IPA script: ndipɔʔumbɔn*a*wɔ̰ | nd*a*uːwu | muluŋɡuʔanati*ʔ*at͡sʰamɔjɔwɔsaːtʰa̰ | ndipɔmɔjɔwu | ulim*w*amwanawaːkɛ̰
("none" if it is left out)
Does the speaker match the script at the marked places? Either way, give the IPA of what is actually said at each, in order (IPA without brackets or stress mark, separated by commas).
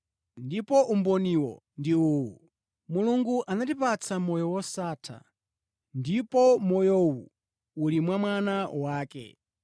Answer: i, i, p, w